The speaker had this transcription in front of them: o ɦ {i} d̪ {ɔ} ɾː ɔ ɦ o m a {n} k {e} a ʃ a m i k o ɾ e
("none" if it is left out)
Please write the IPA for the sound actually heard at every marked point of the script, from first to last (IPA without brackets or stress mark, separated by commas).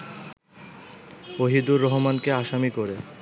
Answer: i, u, n, e